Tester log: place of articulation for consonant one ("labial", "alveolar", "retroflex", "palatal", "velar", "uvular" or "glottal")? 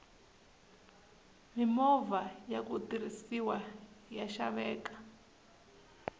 labial